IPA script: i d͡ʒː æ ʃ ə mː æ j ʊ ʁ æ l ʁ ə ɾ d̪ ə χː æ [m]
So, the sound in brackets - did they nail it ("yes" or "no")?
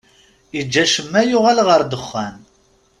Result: no